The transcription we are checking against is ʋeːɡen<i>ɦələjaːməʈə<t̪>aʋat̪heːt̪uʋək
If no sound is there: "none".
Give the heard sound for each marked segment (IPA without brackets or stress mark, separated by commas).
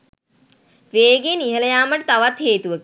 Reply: i, t̪